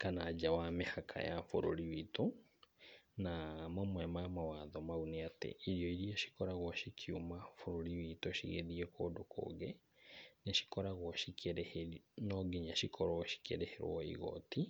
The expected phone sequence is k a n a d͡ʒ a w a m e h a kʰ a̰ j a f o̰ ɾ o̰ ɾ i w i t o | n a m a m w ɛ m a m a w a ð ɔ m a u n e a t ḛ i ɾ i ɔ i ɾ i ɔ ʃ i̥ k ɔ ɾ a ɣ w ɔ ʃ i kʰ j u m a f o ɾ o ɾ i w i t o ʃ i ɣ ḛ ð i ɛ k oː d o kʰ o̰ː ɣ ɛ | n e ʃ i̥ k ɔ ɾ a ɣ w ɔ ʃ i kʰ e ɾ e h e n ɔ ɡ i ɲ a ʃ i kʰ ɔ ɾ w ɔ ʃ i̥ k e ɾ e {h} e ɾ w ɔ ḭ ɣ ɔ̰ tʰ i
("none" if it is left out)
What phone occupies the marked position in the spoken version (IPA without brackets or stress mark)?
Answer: h